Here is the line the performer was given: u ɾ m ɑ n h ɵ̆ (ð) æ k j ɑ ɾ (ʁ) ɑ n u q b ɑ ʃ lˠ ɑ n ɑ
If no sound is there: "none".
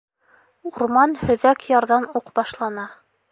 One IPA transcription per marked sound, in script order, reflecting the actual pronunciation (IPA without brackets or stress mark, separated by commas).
ð, ð